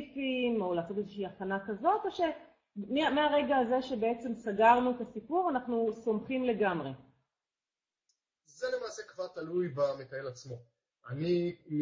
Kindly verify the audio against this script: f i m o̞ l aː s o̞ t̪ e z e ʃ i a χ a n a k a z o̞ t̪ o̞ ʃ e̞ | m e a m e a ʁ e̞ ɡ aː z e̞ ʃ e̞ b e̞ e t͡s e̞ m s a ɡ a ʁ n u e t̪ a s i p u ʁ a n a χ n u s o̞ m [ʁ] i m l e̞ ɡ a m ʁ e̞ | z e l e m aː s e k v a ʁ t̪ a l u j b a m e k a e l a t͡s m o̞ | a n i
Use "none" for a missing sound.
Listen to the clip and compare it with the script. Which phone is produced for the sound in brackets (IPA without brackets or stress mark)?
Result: χ